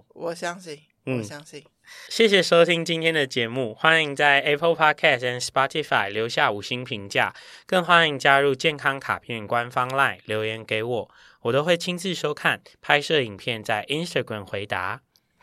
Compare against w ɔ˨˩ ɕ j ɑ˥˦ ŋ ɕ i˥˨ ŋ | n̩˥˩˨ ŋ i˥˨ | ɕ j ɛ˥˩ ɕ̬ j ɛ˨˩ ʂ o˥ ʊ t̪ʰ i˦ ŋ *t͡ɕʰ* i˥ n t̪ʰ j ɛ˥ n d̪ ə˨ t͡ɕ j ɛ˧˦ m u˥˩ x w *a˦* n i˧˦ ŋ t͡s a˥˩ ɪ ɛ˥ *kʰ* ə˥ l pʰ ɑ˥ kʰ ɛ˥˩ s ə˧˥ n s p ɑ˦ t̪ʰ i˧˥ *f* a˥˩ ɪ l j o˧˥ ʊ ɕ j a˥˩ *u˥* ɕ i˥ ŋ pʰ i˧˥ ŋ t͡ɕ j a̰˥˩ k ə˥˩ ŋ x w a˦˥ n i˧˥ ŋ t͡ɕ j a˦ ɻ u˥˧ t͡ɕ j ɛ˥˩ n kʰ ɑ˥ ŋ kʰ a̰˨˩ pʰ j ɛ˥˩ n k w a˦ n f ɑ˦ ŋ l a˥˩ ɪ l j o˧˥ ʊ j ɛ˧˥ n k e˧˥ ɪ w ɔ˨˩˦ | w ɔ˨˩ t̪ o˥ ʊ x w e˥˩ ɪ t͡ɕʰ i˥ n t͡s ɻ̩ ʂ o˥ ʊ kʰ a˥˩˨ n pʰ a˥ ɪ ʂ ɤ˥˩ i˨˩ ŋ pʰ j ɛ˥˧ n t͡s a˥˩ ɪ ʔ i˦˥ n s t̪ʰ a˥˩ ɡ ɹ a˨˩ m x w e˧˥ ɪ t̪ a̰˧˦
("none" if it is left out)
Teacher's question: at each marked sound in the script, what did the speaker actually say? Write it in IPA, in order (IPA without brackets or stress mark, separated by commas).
t͡ɕ, a˦, pʰ, f, u˨˩